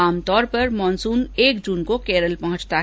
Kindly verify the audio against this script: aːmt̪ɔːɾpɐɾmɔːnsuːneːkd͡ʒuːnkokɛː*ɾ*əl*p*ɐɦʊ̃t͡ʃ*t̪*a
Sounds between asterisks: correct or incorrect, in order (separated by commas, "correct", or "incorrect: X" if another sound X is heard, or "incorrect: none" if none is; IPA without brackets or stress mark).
correct, correct, correct